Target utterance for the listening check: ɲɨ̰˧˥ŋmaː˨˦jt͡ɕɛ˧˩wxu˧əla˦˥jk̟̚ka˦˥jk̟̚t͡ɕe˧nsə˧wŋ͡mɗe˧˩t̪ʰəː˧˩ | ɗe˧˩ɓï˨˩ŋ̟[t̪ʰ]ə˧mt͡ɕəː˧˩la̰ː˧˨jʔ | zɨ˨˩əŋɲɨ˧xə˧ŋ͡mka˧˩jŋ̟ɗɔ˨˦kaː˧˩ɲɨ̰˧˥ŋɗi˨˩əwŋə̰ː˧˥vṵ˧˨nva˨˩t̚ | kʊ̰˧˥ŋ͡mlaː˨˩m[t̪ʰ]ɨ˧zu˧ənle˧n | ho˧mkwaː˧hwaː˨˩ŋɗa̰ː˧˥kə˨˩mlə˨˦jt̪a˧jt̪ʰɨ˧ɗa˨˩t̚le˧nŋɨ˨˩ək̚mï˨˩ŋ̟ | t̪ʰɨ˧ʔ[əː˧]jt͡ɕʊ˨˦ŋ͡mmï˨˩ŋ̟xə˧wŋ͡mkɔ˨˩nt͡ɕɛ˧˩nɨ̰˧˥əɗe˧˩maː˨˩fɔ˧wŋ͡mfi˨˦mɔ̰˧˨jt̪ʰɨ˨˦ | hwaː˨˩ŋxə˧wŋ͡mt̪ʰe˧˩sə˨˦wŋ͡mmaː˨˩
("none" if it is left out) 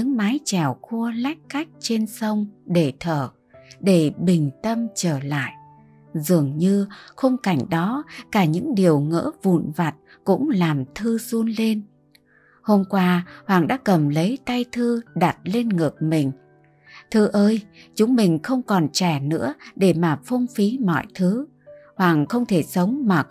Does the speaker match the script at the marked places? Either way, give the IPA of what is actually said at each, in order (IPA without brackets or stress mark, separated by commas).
t̪, t̪ʰ, əː˧